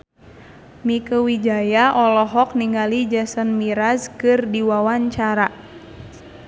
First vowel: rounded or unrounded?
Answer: unrounded